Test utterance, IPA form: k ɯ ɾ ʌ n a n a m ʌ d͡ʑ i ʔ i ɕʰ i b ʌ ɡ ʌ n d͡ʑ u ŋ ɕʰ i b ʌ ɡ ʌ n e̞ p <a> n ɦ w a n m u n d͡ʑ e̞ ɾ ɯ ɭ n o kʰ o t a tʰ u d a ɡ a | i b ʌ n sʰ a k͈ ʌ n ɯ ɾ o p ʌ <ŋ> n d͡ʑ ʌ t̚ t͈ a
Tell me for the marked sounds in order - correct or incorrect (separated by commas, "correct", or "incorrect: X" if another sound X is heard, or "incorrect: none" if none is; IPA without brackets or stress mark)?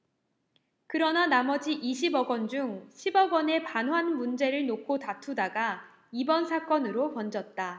correct, incorrect: none